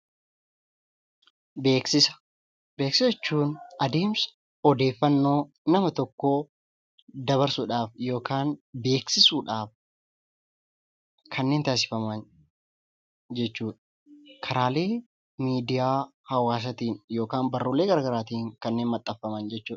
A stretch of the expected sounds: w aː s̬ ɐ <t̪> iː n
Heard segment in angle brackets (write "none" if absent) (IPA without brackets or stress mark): t̪